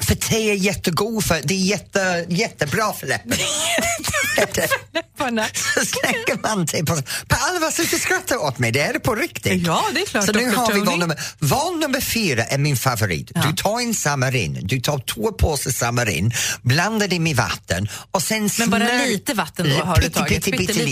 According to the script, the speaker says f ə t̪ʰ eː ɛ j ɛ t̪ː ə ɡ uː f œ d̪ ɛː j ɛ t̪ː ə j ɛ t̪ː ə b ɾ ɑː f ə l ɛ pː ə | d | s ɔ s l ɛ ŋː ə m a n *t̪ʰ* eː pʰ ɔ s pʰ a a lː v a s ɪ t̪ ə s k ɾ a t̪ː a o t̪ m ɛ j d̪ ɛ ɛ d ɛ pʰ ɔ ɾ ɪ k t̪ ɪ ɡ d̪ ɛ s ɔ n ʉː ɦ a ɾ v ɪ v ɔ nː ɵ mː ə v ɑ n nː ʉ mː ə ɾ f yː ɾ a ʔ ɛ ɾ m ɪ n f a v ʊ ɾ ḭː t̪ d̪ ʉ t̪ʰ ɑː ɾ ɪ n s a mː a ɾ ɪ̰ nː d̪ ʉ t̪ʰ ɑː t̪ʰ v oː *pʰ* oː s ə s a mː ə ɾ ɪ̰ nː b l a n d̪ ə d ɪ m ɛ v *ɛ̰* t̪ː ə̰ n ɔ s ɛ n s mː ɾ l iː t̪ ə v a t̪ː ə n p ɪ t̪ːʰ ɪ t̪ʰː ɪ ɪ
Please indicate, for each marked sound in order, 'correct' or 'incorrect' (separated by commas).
correct, correct, incorrect